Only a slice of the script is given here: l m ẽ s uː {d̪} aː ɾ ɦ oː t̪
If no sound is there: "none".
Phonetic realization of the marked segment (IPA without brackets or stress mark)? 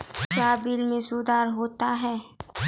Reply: d̪